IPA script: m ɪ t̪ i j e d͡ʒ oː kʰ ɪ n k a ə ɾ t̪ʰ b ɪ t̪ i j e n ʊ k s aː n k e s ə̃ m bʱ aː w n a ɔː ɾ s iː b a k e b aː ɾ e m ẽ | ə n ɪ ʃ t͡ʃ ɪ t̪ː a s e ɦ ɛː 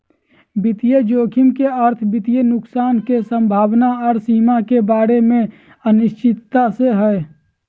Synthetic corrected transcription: b ɪ t̪ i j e d͡ʒ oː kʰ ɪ m k e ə ɾ t̪ʰ b ɪ t̪ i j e n ʊ k s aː n k e s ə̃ m bʱ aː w n a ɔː ɾ s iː m a k e b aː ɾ e m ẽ | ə n ɪ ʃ t͡ʃ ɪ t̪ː a s e ɦ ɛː